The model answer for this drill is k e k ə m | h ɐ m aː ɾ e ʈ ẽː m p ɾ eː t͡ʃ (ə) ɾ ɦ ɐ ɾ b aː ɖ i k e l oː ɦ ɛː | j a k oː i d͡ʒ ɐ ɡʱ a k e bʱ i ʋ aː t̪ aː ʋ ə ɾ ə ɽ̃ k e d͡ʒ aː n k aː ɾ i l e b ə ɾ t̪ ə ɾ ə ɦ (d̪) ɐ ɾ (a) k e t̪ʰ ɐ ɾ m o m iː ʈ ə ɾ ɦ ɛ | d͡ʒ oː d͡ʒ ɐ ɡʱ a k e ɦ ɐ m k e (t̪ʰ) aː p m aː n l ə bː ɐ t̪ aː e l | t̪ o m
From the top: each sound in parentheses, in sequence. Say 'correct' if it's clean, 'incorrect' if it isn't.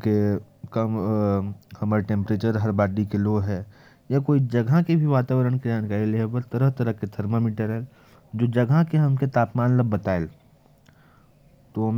correct, incorrect, incorrect, incorrect

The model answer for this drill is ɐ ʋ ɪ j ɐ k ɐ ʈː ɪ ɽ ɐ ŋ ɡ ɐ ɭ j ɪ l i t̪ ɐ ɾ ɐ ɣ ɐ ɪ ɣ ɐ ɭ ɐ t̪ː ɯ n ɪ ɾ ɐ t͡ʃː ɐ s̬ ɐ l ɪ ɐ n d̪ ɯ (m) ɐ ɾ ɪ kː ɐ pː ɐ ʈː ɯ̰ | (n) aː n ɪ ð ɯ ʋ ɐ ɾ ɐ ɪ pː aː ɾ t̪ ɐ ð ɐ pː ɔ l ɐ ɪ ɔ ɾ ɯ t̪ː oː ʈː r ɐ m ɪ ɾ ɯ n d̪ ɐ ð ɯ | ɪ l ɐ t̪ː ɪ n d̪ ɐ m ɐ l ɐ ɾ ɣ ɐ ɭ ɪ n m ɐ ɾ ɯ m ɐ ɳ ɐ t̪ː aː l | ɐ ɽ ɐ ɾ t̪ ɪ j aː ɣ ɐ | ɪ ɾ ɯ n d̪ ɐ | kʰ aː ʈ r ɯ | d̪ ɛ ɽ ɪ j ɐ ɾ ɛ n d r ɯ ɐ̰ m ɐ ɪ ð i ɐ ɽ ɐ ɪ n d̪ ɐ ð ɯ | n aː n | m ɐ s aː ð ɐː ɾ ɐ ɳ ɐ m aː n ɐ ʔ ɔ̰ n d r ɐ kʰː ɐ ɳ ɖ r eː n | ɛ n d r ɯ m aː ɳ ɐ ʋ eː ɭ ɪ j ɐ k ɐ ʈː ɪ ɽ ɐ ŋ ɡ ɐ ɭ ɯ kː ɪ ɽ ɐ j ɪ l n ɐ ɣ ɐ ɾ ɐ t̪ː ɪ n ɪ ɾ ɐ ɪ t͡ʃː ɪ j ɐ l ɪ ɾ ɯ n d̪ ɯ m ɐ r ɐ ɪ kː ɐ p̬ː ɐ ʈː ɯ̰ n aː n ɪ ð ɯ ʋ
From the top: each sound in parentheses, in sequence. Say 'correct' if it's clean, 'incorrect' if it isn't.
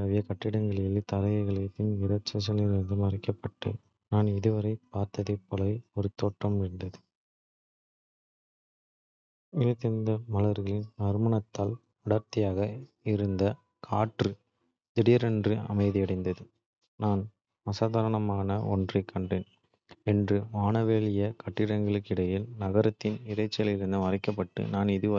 correct, correct

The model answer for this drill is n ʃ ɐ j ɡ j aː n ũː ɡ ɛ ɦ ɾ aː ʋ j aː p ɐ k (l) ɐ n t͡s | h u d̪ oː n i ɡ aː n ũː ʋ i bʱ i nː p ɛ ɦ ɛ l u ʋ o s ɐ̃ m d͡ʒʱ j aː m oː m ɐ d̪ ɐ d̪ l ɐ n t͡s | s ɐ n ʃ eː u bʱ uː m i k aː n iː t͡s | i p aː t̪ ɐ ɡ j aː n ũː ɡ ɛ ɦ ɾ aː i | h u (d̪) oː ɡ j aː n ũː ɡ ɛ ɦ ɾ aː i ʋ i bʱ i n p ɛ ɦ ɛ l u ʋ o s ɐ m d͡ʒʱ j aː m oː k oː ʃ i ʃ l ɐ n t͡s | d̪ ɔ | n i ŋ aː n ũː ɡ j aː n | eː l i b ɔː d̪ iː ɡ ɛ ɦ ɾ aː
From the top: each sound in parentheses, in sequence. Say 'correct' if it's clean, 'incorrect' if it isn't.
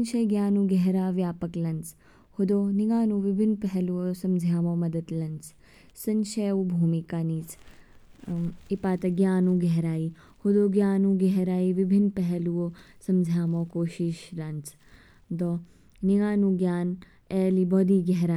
correct, correct

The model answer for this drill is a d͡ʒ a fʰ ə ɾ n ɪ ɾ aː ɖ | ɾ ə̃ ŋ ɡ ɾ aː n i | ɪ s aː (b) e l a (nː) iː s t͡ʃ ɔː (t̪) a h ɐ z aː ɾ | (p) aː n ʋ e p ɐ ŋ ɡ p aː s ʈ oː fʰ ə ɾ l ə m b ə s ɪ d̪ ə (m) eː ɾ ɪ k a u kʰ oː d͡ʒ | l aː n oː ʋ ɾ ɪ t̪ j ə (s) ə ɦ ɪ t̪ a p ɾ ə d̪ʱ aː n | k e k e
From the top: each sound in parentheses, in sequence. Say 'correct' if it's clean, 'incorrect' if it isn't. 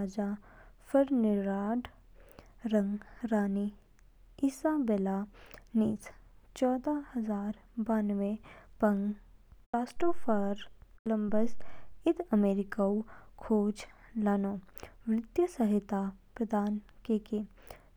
correct, incorrect, incorrect, incorrect, correct, correct

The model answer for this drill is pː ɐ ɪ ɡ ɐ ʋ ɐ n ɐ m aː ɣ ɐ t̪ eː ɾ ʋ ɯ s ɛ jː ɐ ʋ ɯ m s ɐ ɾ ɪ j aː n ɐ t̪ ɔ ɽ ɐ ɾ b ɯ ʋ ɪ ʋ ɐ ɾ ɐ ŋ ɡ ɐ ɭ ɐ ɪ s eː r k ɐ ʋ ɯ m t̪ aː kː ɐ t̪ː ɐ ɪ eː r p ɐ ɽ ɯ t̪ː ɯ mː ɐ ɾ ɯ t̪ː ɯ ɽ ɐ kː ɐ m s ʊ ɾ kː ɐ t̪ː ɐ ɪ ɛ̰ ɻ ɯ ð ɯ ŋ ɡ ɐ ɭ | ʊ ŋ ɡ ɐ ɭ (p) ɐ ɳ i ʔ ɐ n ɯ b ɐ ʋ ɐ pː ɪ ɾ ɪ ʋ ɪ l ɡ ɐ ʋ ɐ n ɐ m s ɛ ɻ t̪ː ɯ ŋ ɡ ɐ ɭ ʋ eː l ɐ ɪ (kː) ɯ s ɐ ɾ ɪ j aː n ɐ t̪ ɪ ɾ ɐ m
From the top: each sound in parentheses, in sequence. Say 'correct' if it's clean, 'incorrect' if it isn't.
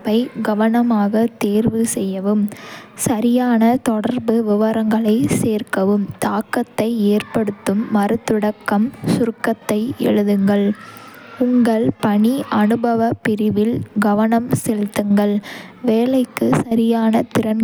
correct, correct

